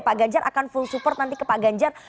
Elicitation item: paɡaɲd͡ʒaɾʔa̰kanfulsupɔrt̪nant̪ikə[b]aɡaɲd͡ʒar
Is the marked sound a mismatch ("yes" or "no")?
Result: yes